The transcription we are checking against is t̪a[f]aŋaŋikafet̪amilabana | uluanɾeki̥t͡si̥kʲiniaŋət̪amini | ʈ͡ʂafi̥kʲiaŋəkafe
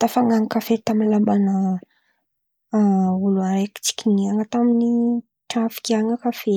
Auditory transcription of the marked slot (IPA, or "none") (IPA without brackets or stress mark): f